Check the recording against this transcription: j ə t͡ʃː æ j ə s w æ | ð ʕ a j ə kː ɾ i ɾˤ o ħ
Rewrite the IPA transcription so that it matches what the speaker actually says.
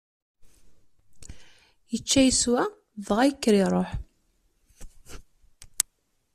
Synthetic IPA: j ə t͡ʃː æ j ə s w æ | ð ʁ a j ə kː ɾ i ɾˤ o ħ